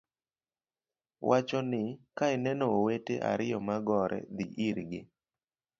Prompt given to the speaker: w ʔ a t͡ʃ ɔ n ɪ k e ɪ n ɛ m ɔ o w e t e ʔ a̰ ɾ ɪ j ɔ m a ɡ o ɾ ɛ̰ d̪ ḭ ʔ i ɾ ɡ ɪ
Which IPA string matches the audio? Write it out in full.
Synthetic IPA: w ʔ a t͡ʃ ɔ n ɪ k a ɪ n ɛ n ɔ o w e t e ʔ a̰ ɾ ɪ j ɔ m a ɡ ɔ ɾ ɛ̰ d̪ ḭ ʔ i ɾ ɡ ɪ